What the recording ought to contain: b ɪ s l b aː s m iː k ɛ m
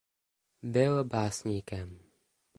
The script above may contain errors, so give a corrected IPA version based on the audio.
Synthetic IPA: b ɪ l b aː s ɲ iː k ɛ m